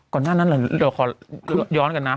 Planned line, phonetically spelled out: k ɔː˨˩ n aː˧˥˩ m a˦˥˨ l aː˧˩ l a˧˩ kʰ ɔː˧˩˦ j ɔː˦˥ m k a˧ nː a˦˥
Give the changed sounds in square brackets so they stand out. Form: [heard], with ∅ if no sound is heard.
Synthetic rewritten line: k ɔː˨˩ n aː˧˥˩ [n] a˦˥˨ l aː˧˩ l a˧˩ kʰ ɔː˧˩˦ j ɔː˦˥ [n] k a˧ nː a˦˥